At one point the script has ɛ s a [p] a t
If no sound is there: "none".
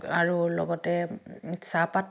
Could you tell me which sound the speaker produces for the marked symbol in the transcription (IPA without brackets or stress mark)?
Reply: p